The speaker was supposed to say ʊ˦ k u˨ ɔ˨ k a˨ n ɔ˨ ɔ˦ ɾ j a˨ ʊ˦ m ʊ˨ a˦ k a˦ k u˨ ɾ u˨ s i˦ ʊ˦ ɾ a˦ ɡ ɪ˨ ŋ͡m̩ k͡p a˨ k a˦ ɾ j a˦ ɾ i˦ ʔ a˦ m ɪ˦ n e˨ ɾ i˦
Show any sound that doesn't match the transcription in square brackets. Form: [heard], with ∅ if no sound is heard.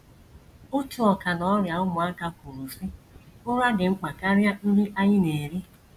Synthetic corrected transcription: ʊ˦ [t] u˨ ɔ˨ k a˨ n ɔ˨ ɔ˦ ɾ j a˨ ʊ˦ m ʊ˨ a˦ k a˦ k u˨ ɾ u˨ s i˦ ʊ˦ ɾ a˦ ɡ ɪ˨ ŋ͡m̩ k͡p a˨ k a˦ ɾ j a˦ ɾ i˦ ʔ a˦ [ɲ] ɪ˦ n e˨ ɾ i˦